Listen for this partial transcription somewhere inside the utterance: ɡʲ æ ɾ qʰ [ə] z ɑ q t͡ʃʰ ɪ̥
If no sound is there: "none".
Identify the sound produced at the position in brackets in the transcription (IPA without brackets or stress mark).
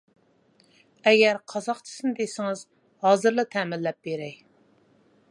ɑ